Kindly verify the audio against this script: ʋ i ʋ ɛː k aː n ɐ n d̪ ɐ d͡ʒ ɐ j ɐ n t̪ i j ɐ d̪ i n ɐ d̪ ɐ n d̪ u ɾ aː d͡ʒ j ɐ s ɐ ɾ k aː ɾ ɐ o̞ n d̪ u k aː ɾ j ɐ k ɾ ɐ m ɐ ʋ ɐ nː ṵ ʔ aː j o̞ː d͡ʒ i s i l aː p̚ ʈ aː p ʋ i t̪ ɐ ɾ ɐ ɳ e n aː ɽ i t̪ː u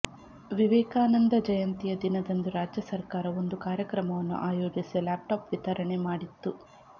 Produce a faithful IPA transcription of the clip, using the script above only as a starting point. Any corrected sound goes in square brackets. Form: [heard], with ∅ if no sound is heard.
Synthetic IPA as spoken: ʋ i ʋ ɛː k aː n ɐ n d̪ ɐ d͡ʒ ɐ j ɐ n t̪ i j ɐ d̪ i n ɐ d̪ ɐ n d̪ u ɾ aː d͡ʒ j ɐ s ɐ ɾ k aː ɾ ɐ o̞ n d̪ u k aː ɾ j ɐ k ɾ ɐ m ɐ ʋ ɐ nː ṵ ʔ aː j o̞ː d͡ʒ i s i l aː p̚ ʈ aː p ʋ i t̪ ɐ ɾ ɐ ɳ e [m] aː ɽ i t̪ː u